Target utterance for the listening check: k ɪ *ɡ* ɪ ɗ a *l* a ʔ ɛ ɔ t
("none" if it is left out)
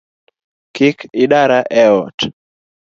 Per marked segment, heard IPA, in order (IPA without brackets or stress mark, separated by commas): k, ɾ